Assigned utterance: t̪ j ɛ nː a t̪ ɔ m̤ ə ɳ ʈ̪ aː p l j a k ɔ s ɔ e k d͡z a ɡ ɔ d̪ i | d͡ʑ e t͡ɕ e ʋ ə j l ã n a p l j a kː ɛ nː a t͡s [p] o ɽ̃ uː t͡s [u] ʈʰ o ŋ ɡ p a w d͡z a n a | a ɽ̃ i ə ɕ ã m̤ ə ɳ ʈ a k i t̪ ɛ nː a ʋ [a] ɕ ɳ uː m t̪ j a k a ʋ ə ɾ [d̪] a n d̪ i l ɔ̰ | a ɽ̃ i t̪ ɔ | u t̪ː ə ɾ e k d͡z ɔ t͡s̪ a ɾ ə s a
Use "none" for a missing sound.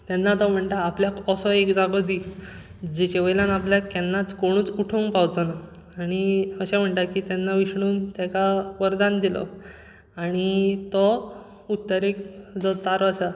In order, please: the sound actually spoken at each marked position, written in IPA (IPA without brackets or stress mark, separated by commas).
k, u, i, d̪